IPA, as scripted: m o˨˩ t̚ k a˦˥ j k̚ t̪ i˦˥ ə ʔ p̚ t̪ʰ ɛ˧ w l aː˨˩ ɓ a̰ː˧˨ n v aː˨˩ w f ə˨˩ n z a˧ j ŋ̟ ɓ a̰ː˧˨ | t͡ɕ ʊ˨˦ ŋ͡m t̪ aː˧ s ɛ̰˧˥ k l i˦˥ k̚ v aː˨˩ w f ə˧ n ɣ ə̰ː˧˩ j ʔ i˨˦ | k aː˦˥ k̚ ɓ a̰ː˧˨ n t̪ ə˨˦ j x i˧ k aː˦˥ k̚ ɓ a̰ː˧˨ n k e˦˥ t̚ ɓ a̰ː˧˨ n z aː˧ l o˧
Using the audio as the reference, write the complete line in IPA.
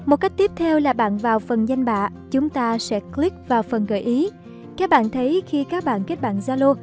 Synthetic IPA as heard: m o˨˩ t̚ k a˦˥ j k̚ t̪ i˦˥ ə p̚ t̪ʰ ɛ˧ w l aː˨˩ ɓ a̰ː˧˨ n v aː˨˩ w f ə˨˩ n z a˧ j ŋ̟ ɓ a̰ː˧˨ | t͡ɕ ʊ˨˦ ŋ͡m t̪ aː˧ s ɛ̰˧˥ k l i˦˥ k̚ v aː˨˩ w f ə˨˩ n ɣ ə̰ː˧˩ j ʔ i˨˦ | k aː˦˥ k̚ ɓ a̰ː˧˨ n t̪ʰ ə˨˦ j x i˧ k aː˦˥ k̚ ɓ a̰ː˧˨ n k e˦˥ t̚ ɓ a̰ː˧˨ n z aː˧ l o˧